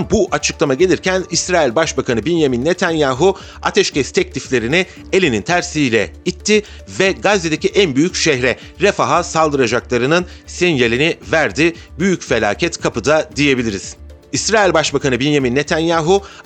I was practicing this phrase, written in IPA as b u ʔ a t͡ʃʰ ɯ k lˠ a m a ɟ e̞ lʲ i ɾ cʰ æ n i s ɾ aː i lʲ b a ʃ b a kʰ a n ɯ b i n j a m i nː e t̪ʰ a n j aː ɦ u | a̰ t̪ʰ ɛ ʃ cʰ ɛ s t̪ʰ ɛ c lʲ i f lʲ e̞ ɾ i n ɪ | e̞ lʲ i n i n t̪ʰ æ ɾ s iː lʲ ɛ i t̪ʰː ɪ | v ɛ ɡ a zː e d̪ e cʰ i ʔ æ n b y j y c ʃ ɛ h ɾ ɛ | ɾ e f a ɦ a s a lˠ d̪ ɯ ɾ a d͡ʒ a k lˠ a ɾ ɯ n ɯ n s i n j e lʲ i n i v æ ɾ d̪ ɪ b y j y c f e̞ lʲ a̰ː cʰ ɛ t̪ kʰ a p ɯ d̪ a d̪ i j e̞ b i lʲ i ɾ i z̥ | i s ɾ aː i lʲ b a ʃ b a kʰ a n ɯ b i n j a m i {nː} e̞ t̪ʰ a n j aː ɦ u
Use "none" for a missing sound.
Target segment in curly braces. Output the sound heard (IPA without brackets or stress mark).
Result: nː